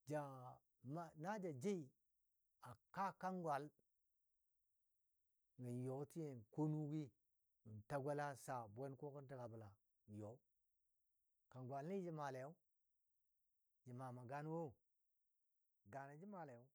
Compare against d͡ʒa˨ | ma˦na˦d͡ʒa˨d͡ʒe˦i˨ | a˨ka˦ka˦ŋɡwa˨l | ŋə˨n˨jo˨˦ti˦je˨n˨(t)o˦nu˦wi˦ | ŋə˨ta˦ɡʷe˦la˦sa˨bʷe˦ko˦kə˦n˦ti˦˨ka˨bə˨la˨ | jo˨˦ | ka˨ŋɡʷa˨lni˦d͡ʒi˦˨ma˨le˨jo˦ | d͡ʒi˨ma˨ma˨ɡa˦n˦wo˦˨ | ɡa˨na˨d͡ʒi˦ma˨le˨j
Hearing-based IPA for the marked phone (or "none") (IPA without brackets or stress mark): k